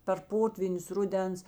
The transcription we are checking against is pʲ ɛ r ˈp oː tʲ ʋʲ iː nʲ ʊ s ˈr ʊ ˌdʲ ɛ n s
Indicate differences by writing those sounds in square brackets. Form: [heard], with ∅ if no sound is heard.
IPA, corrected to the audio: pʲ ɛ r ˈp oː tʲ ʋʲ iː nʲ ʊ s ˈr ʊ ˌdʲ ɛ n s